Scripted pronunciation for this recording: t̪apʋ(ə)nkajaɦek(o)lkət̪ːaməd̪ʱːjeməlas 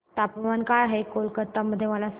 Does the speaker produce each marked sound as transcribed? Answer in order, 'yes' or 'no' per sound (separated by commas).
no, yes